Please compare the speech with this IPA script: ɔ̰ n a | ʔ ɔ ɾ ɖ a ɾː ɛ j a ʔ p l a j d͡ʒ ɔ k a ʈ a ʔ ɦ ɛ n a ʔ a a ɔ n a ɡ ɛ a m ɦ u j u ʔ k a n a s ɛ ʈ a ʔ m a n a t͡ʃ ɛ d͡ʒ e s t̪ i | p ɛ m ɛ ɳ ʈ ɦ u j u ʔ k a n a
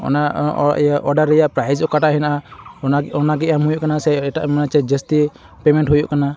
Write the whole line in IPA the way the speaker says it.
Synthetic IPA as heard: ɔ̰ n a | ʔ ɔ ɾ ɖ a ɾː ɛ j a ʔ p ɾ a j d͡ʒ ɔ k a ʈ a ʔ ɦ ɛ n a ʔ a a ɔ n a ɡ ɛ a m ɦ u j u ʔ k a n a s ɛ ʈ a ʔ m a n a t͡ʃ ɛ d͡ʒ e s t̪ i | p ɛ m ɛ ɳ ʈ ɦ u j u ʔ k a n a